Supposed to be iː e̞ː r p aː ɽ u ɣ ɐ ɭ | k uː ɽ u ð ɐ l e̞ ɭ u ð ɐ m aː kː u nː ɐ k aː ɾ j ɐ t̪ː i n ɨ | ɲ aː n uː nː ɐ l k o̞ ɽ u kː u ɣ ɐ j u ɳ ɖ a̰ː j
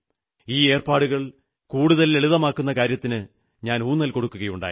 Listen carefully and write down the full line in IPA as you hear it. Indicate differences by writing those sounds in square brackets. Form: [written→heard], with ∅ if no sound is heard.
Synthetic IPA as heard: iː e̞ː r p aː ɽ u ɣ ɐ ɭ | k uː ɽ u ð ɐ l e̞ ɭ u ð ɐ m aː kː u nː ɐ k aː ɾ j ɐ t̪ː i n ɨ | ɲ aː n uː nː ɐ l k o̞ ɽ u kː u ɣ ɐ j u ɳ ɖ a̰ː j